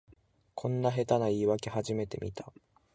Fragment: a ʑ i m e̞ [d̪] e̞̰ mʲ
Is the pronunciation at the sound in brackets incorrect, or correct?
incorrect